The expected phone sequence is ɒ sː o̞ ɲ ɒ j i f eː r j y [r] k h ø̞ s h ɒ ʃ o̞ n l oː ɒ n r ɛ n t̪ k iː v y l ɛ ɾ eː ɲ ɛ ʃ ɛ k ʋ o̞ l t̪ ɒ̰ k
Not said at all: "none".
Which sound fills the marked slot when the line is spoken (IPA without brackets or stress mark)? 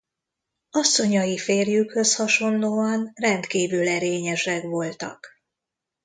none